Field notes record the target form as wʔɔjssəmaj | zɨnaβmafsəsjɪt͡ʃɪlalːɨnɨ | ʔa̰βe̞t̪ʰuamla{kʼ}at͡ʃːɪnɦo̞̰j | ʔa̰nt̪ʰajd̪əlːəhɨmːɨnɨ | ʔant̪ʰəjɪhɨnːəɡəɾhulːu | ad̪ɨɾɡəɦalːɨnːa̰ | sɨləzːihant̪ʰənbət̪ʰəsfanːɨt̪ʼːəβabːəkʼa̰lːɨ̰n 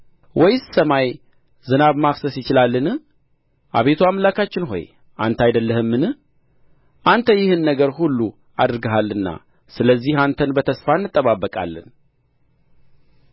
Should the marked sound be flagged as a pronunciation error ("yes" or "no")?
yes